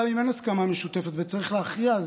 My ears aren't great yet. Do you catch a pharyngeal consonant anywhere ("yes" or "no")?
no